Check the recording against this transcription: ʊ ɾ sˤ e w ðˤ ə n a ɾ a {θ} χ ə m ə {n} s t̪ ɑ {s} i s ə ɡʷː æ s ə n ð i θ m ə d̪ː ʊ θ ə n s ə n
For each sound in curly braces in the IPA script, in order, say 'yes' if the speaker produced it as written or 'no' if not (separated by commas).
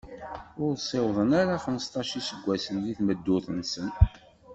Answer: no, no, no